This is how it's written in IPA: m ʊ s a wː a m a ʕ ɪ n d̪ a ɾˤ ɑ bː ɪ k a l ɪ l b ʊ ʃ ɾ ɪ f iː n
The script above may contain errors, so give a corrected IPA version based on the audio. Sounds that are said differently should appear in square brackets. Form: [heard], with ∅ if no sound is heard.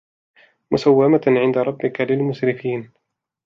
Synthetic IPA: m ʊ s a wː a m a ʕ ɪ n d̪ a ɾˤ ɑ bː ɪ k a l ɪ l [m] ʊ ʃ ɾ ɪ f iː n